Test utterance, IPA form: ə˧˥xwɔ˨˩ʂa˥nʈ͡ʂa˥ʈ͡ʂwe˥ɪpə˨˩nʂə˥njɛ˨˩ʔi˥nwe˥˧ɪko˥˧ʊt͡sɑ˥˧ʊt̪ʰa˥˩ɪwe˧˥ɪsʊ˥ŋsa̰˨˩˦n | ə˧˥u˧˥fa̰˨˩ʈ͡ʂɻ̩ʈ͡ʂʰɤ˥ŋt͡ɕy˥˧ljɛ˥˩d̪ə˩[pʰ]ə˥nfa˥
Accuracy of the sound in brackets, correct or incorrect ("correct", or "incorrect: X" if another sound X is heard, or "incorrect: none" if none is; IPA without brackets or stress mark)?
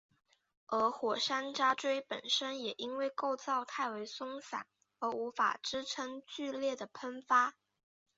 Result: correct